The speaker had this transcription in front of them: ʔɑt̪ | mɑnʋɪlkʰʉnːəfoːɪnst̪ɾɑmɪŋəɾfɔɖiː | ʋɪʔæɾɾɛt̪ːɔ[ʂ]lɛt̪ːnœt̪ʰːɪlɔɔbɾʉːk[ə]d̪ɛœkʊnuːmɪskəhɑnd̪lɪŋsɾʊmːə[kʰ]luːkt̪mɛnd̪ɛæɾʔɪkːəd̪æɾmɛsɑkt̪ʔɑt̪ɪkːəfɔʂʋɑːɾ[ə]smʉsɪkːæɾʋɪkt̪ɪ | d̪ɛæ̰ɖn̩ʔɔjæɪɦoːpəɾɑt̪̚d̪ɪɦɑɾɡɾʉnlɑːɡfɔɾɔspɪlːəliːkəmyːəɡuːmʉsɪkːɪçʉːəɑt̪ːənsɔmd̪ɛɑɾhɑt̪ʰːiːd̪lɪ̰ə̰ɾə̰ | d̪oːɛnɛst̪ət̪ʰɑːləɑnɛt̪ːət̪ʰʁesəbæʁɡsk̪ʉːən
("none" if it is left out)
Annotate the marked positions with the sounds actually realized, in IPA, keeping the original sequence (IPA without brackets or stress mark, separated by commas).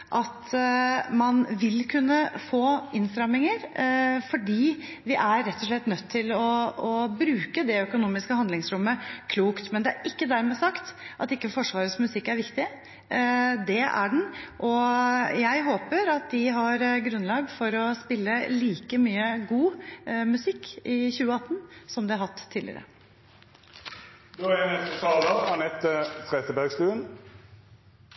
ʂ, ə, kʰ, ə